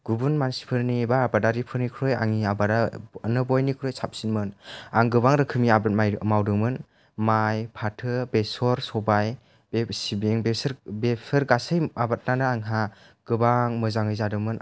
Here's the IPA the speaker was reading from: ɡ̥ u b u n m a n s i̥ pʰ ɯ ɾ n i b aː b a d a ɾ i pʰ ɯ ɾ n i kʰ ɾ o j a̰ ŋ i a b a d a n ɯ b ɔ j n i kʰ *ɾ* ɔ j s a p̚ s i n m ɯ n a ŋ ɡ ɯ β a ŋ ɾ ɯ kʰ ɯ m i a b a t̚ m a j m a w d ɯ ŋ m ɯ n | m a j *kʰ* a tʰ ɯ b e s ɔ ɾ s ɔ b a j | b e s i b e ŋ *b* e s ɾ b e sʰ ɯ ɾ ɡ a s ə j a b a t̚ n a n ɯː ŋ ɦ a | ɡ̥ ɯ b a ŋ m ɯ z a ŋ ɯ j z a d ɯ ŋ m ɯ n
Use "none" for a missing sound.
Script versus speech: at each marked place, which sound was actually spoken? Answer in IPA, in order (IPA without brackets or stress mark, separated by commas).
ɾ, pʰ, b